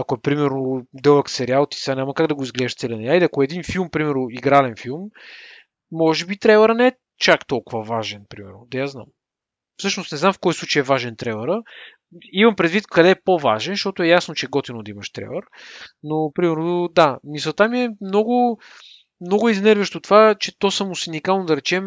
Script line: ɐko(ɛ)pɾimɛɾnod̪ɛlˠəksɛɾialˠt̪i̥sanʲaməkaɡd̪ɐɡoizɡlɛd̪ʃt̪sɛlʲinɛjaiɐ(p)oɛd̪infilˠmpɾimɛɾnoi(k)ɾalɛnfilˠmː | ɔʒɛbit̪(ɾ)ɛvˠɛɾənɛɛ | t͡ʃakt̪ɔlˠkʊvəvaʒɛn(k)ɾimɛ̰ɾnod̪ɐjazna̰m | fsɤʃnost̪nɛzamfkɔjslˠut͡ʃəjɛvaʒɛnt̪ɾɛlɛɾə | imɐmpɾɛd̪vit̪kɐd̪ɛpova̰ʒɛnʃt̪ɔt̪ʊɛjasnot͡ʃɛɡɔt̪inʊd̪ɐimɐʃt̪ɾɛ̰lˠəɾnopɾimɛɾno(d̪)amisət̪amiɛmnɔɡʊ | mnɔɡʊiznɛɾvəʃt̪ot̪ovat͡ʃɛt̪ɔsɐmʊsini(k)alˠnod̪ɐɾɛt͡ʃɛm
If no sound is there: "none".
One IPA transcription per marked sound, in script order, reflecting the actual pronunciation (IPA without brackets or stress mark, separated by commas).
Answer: ɛ, k, ɡ, ɾ, p, d̪, k